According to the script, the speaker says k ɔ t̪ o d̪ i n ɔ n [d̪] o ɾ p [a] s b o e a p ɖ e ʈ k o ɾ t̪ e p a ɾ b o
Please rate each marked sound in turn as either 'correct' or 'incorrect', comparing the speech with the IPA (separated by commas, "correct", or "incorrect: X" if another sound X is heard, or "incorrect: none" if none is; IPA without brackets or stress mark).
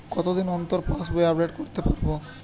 incorrect: t̪, correct